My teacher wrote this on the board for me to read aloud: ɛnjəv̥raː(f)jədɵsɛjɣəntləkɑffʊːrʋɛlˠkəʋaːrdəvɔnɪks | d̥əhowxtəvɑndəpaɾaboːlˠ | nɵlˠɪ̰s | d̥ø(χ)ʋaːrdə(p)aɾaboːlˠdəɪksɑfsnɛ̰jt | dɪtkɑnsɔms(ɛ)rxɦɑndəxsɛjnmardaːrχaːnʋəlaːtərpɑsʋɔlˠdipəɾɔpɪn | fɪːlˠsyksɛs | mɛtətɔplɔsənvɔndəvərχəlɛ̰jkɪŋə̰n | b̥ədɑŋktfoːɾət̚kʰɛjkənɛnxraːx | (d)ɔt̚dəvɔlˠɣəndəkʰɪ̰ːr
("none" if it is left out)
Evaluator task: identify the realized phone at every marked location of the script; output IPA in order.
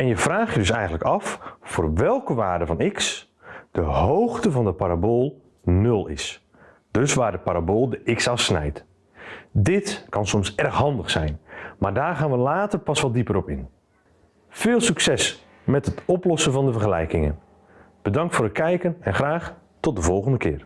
x, s, p, ɛ, t

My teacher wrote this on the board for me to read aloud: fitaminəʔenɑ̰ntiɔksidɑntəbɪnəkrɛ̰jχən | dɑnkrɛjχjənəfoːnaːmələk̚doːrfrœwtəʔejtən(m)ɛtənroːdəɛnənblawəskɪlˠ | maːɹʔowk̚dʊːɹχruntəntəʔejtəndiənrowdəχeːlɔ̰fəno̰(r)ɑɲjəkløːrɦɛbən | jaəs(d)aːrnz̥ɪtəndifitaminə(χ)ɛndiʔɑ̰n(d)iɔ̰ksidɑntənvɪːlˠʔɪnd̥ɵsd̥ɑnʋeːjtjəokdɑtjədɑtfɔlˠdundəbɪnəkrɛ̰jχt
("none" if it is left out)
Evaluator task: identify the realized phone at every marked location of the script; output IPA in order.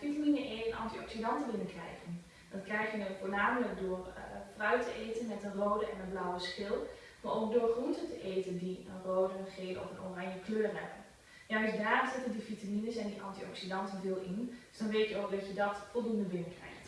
m, r, d, s, t

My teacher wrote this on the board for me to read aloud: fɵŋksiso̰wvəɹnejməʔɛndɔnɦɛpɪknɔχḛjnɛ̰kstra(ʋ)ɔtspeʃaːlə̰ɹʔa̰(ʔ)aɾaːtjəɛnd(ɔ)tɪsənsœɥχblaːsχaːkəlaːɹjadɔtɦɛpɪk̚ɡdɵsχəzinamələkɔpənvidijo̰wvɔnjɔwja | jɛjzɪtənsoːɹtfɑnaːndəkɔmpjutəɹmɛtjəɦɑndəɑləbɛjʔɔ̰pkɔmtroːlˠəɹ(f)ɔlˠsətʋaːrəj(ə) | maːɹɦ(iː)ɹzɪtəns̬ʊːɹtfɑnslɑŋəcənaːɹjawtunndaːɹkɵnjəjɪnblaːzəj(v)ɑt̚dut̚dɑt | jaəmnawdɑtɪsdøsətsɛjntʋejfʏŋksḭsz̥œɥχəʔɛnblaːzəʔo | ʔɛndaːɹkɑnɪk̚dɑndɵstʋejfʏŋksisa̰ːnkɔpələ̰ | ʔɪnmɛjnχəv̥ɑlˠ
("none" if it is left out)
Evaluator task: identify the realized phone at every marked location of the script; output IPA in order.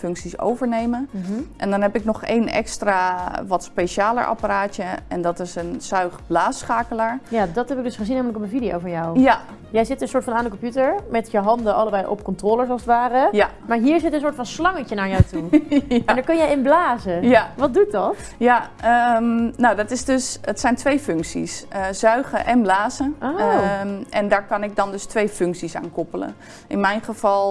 ʋ, p, ɔ, s, a, iː, ʋ

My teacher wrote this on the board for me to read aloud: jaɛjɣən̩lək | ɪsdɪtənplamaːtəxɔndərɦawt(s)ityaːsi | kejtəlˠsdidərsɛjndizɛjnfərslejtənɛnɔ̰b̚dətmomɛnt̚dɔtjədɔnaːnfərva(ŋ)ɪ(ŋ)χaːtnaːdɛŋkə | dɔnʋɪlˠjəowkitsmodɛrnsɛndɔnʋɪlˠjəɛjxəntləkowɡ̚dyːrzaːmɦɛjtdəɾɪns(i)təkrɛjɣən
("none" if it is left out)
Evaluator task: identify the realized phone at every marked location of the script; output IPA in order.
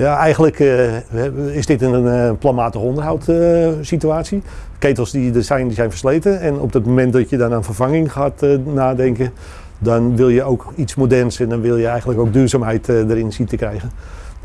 s, ŋ, ŋ, i

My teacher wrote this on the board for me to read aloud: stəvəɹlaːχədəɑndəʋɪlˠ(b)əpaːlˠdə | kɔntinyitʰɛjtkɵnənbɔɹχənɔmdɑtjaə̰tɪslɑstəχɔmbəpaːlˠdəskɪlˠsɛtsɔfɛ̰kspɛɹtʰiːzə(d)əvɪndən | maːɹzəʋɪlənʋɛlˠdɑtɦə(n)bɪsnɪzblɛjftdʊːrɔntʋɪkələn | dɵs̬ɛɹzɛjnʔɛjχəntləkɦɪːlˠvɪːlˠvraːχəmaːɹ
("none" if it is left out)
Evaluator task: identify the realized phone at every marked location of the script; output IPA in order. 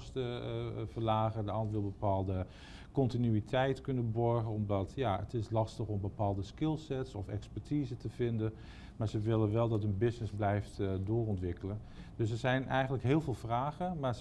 b, t, n

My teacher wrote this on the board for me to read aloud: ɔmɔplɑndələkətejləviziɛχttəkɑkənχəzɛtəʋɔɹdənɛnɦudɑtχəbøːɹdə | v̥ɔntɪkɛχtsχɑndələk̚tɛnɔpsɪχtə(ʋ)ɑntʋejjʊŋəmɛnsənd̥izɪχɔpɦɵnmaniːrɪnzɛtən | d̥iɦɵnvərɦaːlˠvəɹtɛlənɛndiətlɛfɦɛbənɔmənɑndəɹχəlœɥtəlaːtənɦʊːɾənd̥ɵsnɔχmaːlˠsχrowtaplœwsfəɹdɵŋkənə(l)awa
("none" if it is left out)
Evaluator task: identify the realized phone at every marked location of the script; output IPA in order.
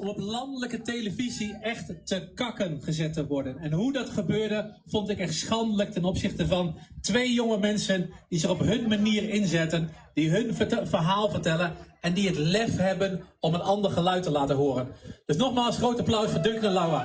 v, l

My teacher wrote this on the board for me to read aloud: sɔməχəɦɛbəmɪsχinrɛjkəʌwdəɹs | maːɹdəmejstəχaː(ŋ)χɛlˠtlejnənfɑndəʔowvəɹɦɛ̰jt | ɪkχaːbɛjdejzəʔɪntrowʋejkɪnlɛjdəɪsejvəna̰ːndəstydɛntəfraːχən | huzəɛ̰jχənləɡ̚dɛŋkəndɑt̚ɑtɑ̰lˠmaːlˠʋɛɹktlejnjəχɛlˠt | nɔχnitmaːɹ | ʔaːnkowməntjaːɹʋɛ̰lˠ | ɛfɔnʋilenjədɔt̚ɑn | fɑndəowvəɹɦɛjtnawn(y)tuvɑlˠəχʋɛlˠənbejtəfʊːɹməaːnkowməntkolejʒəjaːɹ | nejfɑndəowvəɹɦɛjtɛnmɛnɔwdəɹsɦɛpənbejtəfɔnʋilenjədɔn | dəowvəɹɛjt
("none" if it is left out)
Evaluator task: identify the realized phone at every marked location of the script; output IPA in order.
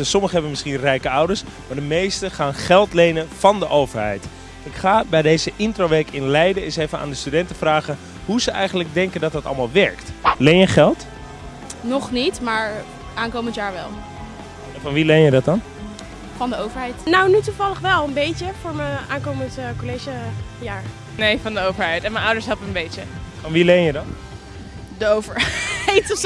n, y

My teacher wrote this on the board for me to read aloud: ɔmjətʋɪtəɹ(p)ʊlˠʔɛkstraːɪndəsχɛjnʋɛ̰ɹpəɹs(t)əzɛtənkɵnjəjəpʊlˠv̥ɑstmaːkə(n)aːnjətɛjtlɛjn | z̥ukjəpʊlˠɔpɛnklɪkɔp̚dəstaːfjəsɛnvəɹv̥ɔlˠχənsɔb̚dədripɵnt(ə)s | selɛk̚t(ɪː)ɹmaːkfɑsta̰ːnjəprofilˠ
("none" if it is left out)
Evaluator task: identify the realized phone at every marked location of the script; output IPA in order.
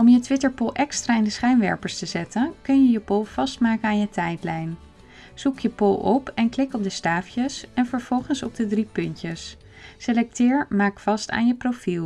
p, t, n, ə, ɪː

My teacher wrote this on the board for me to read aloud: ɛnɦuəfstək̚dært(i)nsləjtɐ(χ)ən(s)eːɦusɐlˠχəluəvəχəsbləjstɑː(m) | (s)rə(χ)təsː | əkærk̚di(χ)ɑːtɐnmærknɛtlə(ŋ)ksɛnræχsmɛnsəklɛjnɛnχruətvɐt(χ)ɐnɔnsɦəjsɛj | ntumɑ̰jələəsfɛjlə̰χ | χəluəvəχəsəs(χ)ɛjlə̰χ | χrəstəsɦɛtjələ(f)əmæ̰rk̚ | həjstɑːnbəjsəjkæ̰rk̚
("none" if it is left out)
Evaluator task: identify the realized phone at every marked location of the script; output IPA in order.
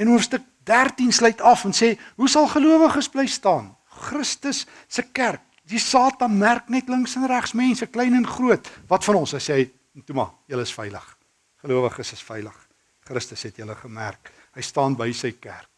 i, f, s, n, χ, s, s, ŋ, f, f, χ

